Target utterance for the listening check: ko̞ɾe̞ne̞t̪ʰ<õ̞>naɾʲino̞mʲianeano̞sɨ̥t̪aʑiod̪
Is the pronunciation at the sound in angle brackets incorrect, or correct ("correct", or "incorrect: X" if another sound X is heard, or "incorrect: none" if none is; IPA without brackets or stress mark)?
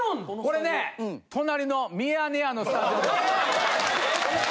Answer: incorrect: o̞